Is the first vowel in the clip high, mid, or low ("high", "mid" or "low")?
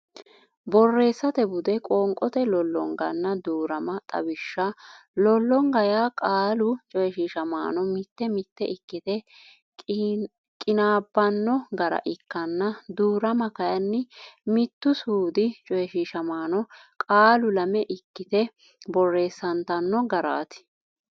mid